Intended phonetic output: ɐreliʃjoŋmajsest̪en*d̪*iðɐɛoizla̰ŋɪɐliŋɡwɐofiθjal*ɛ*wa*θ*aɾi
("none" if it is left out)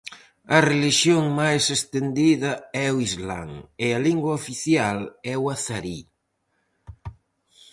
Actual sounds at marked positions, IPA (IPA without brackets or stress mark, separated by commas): d̪, ɛ, θ